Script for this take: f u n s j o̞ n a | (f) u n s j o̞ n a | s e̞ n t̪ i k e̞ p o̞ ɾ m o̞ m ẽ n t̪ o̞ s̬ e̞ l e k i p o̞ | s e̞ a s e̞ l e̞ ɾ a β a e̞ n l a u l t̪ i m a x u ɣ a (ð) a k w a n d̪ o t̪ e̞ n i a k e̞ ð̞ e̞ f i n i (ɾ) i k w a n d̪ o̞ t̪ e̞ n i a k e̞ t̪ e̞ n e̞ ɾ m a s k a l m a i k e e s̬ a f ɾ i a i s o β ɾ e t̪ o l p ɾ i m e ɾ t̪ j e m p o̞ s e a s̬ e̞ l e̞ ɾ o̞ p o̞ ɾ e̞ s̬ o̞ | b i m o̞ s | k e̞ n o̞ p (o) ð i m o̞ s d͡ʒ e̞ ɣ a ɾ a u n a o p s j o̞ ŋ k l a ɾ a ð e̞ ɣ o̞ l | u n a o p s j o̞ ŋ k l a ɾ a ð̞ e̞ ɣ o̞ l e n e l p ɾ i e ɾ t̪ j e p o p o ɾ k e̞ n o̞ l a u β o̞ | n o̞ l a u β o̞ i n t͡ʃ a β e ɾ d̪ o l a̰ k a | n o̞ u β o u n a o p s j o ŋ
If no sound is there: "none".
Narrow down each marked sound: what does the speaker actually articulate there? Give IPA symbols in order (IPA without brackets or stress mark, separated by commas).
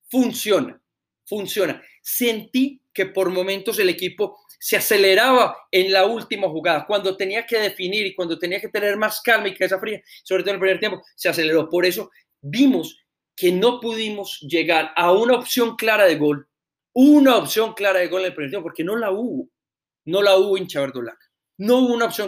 f, ð, ɾ, u